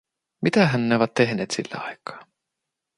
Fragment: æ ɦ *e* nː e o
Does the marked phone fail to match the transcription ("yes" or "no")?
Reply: yes